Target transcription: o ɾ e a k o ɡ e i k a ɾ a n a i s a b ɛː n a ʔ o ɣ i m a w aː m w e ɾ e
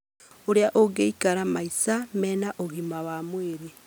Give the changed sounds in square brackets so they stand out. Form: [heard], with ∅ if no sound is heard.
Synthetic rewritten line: o ɾ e a [ʔ] o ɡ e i k a ɾ a [m] a i s a [m] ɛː n a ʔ o ɣ i m a w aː m w e ɾ e